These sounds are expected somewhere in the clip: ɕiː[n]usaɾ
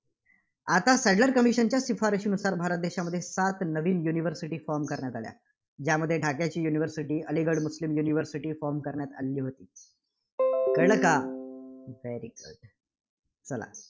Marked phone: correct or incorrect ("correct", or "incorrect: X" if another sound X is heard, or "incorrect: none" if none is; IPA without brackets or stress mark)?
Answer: correct